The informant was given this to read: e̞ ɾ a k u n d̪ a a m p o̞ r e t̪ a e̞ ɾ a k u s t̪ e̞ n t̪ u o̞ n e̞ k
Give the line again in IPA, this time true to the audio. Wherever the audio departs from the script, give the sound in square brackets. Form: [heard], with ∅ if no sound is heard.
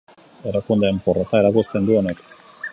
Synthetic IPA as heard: e̞ ɾ a k u n d̪ [e] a m p o̞ r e t̪ a e̞ ɾ a k u s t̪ e̞ n [d̪] u o̞ n e̞ k